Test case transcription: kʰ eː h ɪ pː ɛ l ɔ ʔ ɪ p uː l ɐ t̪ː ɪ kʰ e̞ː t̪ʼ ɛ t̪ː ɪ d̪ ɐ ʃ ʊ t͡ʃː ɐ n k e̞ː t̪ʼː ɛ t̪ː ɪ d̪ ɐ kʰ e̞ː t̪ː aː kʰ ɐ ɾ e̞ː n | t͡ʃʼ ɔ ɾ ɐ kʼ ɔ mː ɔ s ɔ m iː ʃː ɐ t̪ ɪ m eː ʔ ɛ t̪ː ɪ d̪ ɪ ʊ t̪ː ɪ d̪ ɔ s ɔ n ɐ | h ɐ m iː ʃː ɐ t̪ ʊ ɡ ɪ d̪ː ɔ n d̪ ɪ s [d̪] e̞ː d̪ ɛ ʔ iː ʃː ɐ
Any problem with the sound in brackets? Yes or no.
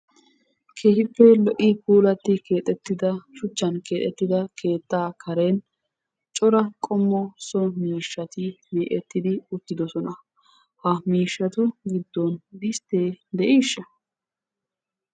yes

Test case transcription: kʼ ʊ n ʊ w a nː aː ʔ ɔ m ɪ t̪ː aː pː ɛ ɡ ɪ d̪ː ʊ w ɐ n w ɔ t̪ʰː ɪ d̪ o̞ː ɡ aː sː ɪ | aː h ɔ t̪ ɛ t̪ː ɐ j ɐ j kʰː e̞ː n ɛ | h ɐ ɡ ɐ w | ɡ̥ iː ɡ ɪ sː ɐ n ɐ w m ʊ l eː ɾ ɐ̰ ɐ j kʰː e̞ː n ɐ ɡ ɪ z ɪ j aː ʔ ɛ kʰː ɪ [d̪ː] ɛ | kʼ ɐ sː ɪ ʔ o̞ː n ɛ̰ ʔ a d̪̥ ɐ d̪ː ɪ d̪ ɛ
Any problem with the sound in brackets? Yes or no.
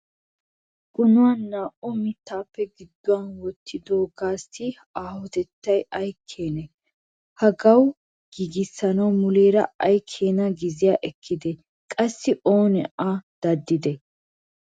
yes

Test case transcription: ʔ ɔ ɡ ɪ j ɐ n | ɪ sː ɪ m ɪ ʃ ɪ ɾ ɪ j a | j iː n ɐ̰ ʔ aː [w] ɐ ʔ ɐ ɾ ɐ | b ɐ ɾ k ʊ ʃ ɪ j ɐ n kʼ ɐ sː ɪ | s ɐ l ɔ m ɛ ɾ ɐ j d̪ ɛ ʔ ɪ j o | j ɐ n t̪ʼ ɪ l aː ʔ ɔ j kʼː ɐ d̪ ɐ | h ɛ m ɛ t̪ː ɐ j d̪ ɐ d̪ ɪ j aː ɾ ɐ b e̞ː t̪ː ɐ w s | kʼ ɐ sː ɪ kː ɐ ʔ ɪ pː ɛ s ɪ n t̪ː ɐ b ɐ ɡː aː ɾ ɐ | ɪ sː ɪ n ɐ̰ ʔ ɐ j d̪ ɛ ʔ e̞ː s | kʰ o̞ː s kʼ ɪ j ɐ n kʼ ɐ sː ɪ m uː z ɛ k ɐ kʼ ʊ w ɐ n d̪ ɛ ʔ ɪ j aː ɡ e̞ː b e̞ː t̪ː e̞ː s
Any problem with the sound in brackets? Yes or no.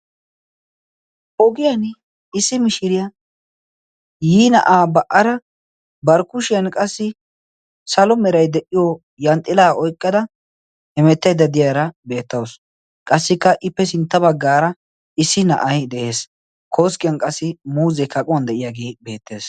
yes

